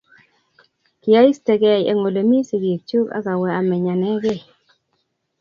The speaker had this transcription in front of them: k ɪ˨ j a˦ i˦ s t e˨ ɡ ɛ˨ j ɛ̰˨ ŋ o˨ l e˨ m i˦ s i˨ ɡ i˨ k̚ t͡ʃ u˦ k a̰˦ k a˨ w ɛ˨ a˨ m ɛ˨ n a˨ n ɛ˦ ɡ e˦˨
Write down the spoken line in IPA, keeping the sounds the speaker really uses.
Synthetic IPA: k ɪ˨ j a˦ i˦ s t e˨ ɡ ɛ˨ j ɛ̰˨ ŋ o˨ l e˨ m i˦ s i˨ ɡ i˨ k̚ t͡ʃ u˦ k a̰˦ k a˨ w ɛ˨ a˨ m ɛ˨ ɲ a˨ n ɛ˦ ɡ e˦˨